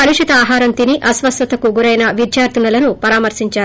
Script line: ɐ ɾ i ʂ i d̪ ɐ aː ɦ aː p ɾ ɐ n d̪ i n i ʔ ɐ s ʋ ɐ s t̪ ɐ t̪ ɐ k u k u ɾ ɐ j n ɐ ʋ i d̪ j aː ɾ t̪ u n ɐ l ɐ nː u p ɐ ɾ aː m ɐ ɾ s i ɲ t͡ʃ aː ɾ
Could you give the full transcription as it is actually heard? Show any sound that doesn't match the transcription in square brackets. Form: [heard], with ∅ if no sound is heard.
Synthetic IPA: ɐ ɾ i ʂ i [t̪] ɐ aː ɦ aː [∅] ɾ ɐ n [t̪] i n i ʔ ɐ s ʋ ɐ s t̪ ɐ t̪ ɐ k u [ɡ] u ɾ ɐ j n ɐ ʋ i d̪ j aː ɾ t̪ u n ɐ l ɐ [n] u p ɐ ɾ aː m ɐ ɾ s i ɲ t͡ʃ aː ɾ

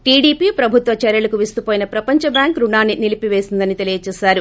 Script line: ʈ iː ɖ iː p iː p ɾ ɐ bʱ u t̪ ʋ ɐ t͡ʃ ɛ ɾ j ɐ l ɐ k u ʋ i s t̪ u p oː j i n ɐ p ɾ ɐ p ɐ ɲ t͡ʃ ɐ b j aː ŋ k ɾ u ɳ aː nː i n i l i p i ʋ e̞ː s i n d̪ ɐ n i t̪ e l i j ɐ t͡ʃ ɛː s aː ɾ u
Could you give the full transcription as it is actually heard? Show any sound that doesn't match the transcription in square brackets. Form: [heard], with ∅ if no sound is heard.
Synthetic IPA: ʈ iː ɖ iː p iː p ɾ ɐ bʱ u t̪ ʋ ɐ t͡ʃ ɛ ɾ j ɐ l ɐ k u ʋ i s t̪ u p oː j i n ɐ p ɾ ɐ p ɐ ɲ t͡ʃ ɐ b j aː ŋ k ɾ u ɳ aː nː i n i l i p i ʋ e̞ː s i n d̪ ɐ n i t̪ e l i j ɐ t͡ʃ ɛː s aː ɾ u

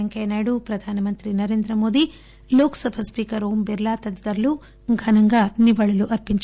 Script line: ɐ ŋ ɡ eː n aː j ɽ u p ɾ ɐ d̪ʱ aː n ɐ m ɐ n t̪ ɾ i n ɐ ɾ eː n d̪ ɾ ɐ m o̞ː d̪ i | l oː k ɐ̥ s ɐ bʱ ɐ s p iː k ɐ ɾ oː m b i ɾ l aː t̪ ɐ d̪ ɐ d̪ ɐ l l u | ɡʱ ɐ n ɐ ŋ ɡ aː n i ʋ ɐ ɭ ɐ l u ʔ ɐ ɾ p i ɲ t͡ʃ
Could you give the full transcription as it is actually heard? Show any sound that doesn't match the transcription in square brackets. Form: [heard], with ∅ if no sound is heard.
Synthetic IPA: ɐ ŋ [k] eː n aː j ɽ u p ɾ ɐ d̪ʱ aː n ɐ m ɐ n t̪ ɾ i n ɐ ɾ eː n d̪ ɾ ɐ m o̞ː d̪ i | l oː k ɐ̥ s ɐ bʱ ɐ s p iː k ɐ ɾ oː m b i ɾ l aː t̪ ɐ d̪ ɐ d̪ ɐ [ɾ] l u | ɡʱ ɐ n ɐ ŋ ɡ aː n i ʋ ɐ ɭ ɐ l u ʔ ɐ ɾ p i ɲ t͡ʃ

